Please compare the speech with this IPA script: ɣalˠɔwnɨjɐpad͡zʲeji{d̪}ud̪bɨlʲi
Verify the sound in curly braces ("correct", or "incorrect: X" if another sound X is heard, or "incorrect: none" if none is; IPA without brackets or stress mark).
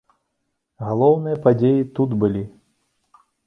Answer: incorrect: t̪